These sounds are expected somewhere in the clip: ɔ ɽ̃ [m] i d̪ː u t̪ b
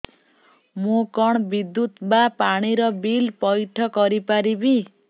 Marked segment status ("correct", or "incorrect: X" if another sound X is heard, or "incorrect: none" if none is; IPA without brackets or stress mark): incorrect: b